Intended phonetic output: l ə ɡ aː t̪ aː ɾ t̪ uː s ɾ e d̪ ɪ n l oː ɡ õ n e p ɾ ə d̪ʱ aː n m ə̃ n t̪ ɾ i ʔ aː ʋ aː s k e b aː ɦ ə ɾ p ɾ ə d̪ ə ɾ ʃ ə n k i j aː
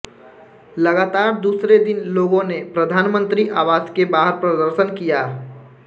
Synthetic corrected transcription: l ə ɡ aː t̪ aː ɾ d̪ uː s ɾ e d̪ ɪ n l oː ɡ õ n e p ɾ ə d̪ʱ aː n m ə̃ n t̪ ɾ i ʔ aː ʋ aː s k e b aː ɦ ə ɾ p ɾ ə d̪ ə ɾ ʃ ə n k i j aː